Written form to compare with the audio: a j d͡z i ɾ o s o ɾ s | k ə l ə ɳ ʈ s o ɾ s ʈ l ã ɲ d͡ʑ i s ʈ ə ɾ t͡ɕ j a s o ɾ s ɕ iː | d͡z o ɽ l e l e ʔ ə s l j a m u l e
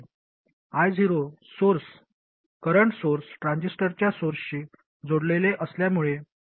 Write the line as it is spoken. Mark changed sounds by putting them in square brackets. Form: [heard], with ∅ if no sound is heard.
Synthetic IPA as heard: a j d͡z i ɾ o s o ɾ s | k ə [ɾ] ə ɳ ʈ s o ɾ s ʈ [ɾ] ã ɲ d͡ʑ i s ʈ ə ɾ t͡ɕ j a s o ɾ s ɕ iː | d͡z o ɽ l e l e ʔ ə s l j a m u [ɭ] e